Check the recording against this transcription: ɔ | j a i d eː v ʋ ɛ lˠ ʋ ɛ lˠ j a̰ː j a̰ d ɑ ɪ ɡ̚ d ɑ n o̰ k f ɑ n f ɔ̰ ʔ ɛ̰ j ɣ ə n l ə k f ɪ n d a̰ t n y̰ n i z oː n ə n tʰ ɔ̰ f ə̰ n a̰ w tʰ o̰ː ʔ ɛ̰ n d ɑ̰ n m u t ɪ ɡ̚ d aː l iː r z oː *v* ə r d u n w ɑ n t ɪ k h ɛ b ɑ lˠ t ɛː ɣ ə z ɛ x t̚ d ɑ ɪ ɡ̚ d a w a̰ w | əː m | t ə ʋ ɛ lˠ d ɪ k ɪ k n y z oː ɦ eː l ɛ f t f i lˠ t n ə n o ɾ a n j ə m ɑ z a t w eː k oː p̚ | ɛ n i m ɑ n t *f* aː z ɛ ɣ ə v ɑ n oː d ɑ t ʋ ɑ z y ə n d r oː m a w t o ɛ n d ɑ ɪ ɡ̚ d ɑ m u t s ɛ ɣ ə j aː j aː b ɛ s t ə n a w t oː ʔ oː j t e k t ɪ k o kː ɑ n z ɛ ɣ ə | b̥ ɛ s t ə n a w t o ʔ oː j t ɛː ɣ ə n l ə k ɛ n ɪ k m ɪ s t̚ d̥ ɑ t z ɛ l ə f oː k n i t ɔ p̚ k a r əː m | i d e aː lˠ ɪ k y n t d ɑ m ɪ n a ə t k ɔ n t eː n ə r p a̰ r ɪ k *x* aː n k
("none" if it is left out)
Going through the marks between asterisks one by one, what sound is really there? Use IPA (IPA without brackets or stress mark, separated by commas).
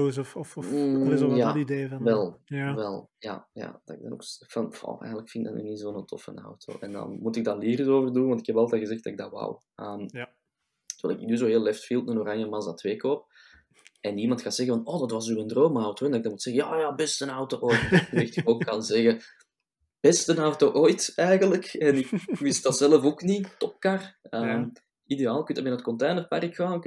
v, x, x